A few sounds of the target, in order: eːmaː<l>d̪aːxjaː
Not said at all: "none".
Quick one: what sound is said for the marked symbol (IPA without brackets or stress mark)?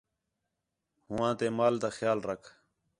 l